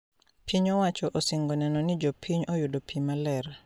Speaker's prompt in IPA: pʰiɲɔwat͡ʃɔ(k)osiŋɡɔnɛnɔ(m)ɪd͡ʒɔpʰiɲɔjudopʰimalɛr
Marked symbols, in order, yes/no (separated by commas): no, no